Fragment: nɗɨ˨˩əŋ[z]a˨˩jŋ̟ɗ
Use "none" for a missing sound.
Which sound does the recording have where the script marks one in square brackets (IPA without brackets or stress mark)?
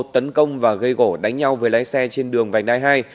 v